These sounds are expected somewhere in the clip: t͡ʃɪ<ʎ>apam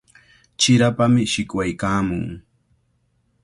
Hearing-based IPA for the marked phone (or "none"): ɾ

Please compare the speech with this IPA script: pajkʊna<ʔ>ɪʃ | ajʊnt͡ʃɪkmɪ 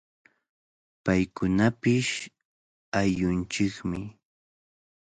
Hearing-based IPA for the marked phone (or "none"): p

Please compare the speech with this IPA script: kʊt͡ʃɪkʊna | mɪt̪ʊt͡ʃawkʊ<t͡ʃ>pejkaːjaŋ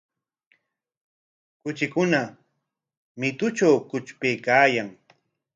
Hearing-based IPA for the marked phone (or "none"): t͡ʃ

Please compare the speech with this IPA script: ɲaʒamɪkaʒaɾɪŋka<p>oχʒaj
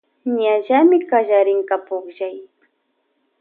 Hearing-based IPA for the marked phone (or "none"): p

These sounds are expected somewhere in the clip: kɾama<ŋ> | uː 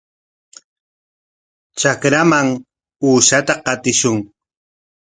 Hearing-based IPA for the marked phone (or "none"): ŋ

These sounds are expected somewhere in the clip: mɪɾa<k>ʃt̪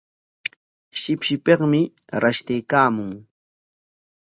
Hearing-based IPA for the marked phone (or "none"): none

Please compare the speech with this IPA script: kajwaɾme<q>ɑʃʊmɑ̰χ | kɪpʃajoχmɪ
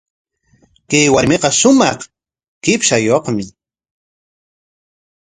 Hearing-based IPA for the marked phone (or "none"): q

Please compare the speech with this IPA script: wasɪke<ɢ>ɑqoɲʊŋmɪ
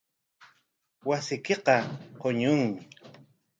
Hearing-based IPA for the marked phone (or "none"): q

